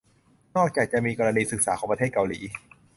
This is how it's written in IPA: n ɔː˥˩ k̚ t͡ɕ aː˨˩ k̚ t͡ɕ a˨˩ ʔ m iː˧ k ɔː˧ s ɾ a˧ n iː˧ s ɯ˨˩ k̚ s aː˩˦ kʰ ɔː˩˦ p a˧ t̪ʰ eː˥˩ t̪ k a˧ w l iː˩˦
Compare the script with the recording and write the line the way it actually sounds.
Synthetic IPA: n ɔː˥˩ k̚ t͡ɕ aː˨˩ k̚ t͡ɕ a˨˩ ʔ m iː˧ k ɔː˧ ɾ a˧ n iː˧ s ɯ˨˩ k̚ s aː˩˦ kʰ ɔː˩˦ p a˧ t̪ʰ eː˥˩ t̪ k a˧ w l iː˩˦